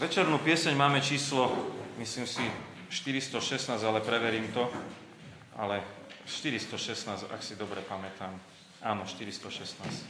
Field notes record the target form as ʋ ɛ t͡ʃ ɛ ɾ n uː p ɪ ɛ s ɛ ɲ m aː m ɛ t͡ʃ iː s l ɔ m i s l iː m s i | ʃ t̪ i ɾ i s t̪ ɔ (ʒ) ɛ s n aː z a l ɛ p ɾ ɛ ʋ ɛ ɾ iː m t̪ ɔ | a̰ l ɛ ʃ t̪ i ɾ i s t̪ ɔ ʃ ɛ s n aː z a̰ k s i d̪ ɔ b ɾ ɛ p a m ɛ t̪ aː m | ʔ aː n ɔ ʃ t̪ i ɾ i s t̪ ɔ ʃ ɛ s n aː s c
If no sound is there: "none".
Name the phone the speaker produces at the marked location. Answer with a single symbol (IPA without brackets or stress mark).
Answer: ʃ